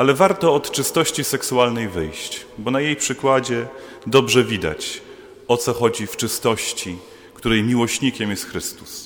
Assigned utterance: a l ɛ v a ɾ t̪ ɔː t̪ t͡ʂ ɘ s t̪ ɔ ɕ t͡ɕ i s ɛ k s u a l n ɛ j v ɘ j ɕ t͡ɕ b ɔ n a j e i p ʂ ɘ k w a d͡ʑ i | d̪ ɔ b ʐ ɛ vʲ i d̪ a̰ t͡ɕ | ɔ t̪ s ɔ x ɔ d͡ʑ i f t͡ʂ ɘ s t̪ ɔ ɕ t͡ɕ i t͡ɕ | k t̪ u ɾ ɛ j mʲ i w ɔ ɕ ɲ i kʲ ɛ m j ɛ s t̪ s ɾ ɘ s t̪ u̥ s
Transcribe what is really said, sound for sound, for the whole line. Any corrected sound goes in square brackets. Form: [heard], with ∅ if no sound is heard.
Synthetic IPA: a l ɛ v a ɾ t̪ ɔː t̪ t͡ʂ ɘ s t̪ ɔ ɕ t͡ɕ i s ɛ k s u a l n ɛ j v ɘ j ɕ t͡ɕ b ɔ n a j e [j] p ʂ ɘ k w a d͡ʑ [ɛ] | d̪ ɔ b ʐ ɛ vʲ i d̪ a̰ t͡ɕ | ɔ t̪ s ɔ x ɔ d͡ʑ i f t͡ʂ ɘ s t̪ ɔ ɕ t͡ɕ i [∅] | k t̪ u ɾ ɛ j mʲ i w ɔ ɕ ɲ i kʲ ɛ m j ɛ s t̪ [x] ɾ ɘ s t̪ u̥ s